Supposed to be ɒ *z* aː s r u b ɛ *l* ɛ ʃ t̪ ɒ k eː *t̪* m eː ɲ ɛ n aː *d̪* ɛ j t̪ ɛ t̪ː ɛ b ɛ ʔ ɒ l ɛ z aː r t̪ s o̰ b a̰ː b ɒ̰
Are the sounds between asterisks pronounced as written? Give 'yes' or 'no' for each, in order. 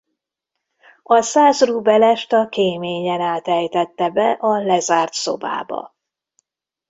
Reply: no, yes, no, no

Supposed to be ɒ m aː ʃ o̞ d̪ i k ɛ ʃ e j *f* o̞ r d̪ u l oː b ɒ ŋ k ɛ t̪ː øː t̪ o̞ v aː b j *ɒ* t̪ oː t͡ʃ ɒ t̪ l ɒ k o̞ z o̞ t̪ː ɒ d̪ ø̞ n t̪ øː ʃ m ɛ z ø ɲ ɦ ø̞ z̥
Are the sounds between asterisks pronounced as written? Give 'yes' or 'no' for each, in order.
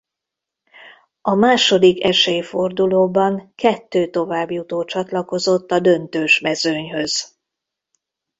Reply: yes, no

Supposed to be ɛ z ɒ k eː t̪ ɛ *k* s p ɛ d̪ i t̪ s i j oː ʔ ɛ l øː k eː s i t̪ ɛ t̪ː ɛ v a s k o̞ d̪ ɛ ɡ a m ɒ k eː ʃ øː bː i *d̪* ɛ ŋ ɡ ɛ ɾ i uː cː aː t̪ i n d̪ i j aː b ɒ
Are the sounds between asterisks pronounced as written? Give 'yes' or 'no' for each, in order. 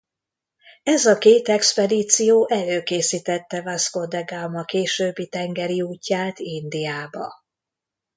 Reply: yes, no

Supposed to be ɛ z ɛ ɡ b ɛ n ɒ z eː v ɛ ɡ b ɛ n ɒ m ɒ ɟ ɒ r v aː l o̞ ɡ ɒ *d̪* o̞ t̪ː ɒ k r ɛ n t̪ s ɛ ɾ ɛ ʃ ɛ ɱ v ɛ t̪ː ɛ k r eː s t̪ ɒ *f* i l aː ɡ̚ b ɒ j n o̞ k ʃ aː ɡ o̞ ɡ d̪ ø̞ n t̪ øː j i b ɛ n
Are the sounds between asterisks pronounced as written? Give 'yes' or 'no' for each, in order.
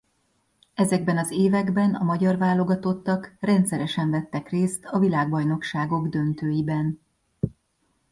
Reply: no, no

